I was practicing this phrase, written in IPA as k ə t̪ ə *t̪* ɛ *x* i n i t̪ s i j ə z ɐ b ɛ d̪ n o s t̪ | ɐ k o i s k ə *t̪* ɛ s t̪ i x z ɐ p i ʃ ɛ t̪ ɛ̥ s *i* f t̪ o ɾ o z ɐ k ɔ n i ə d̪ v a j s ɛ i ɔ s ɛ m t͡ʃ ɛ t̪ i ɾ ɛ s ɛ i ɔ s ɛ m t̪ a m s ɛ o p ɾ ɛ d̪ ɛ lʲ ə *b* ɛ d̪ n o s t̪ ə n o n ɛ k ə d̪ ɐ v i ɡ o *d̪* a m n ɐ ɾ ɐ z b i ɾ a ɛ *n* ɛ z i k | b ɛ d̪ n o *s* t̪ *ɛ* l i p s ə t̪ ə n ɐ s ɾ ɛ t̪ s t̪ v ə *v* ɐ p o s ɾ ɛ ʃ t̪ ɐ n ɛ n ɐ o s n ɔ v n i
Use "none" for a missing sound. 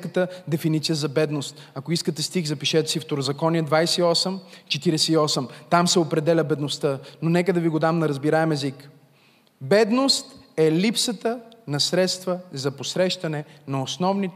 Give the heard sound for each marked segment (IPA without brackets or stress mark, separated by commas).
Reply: d̪, f, t̪, i, b, d̪, m, s, ɛ, z